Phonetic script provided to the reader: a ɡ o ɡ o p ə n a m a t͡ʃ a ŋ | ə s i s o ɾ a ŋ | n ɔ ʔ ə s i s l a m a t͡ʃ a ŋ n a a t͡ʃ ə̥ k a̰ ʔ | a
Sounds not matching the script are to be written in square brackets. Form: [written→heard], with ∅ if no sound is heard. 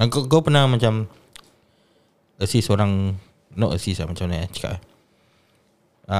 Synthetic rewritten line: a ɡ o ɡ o p ə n a m a t͡ʃ a [ŋ→m] | ə s i s o ɾ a ŋ | n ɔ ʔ ə s i s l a m a t͡ʃ a [ŋ→m] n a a t͡ʃ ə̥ k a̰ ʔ | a